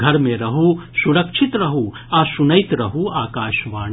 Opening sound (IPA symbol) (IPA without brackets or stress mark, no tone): ɡʱ